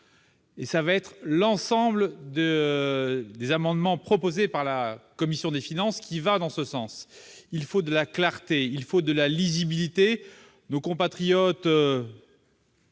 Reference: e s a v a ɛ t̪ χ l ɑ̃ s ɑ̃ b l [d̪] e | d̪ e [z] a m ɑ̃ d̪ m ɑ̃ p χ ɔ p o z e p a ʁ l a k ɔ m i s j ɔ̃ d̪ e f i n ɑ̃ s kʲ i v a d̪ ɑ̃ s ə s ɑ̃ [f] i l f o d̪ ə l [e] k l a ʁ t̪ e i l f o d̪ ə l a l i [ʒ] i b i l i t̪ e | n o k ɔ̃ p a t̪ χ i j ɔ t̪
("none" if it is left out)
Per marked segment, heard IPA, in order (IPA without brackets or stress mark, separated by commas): d̪, z, s, a, z